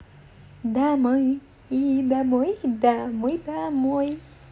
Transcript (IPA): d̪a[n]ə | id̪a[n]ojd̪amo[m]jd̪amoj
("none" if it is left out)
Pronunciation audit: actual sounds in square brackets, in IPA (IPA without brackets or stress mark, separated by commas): m, m, none